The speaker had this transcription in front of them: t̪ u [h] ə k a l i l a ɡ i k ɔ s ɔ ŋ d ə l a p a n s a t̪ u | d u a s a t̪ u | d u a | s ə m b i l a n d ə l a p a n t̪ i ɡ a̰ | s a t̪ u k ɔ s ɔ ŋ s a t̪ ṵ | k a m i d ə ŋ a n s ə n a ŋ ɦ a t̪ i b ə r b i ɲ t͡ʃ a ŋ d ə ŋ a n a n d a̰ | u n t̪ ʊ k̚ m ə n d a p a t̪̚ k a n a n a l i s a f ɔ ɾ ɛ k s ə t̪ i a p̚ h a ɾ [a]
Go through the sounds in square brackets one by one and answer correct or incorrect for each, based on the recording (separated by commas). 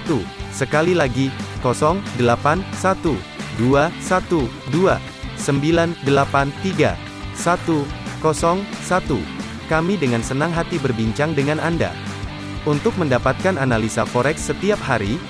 incorrect, incorrect